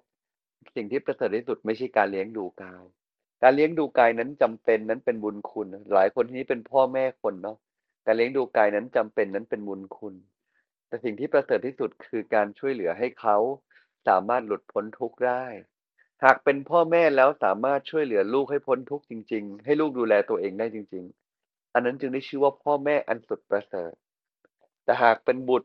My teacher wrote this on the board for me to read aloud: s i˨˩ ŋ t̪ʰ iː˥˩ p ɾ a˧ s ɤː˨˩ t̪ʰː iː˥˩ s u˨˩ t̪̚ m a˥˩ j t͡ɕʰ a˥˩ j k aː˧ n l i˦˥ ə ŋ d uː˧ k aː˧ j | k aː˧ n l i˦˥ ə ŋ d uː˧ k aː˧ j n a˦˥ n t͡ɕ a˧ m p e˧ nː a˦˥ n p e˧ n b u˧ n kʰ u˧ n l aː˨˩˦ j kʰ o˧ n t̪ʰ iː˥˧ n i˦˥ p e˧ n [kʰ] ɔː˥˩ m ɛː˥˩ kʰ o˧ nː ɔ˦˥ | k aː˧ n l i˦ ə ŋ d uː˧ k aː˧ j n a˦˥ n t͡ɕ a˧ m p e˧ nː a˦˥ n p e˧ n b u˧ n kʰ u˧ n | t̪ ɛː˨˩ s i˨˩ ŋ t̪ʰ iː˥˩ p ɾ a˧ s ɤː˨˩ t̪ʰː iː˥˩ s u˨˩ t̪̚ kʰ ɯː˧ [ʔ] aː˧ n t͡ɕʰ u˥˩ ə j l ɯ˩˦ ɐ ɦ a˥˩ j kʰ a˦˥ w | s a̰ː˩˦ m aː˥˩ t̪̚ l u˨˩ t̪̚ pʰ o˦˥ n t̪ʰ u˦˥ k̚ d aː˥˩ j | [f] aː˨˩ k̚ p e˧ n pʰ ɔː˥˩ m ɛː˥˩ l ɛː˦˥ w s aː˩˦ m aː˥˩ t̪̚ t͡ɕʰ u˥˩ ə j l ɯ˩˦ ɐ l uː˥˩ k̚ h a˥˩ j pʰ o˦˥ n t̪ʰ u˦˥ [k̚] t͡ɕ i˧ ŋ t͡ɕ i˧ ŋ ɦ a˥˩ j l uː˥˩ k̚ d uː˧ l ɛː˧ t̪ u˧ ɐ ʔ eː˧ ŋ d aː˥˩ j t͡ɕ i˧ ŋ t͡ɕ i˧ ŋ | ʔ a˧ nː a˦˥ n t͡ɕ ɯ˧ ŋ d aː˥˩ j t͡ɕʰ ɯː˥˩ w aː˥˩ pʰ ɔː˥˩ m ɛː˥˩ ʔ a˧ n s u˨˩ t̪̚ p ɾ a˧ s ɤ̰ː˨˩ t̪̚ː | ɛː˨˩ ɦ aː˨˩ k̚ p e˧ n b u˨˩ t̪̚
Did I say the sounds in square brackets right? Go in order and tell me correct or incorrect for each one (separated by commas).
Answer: incorrect, incorrect, incorrect, correct